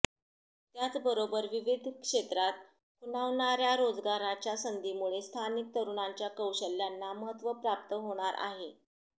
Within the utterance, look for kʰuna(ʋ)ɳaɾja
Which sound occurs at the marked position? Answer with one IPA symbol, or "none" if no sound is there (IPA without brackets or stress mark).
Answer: ʋ